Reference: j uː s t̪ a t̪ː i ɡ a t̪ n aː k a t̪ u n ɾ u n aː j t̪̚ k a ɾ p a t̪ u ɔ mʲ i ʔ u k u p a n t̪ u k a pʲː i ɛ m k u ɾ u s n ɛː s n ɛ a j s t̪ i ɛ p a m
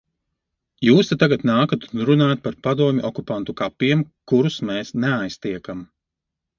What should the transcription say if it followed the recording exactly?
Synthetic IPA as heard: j uː s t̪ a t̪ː a ɡ a t̪ n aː k a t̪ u n ɾ u n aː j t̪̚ p a ɾ p a d̪ u ɔ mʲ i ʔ ɔ k u p a n t̪ u k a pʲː i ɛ m k u ɾ u s m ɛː s n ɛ a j s t̪ i ɛ k a m